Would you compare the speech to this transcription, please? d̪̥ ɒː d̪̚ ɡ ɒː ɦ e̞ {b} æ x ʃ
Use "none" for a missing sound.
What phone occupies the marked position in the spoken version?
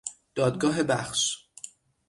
b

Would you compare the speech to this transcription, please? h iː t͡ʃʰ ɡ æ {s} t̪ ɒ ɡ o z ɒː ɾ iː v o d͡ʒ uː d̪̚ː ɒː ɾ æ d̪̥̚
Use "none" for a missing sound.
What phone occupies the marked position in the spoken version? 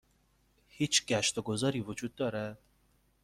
ʃ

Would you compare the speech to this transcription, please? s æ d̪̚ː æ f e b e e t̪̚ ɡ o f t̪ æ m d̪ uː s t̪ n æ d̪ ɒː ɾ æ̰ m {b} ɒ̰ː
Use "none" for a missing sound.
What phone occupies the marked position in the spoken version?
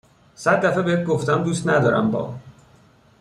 b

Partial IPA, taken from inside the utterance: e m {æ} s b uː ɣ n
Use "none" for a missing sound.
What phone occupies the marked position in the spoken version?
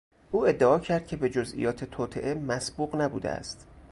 æ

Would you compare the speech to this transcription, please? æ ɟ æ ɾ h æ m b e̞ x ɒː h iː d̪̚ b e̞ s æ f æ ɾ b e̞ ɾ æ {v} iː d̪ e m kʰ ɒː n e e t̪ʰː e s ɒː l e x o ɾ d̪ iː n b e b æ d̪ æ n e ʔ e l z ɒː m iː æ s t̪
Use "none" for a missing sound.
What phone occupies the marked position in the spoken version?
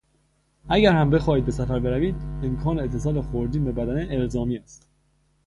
v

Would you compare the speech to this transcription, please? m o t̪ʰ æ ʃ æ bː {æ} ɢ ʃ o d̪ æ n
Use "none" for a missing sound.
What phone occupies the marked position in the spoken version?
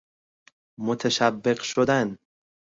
e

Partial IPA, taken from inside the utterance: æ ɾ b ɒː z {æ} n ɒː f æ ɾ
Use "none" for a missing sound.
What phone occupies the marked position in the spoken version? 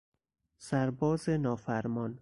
e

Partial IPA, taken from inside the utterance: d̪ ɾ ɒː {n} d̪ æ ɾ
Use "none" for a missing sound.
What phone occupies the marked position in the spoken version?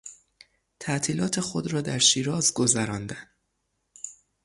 none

